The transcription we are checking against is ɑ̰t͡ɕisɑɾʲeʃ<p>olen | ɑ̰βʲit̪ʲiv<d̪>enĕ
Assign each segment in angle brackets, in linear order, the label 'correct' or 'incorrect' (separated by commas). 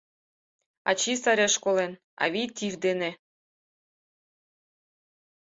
incorrect, correct